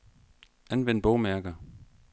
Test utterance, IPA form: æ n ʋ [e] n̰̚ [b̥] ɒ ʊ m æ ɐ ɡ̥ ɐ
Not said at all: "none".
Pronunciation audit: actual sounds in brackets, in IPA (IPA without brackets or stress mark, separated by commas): e, b̥